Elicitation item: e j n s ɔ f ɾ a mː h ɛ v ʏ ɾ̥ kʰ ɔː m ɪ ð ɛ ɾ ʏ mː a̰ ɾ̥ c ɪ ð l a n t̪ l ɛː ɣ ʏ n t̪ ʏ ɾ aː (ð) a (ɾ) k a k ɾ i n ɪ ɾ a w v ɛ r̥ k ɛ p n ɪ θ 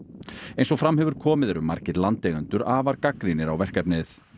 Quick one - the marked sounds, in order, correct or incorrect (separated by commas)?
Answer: incorrect, correct